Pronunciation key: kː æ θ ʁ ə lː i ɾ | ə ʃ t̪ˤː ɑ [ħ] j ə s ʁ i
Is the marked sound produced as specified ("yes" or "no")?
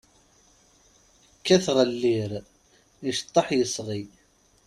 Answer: yes